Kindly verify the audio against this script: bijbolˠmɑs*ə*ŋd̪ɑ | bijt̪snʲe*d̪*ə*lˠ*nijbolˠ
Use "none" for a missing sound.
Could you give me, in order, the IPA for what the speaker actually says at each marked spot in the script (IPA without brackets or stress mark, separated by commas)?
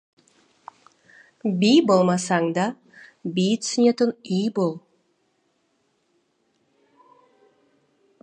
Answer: ɑ, t̪, none